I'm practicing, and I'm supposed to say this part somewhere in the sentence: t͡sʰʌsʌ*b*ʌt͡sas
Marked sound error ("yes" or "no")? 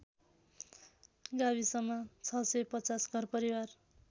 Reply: yes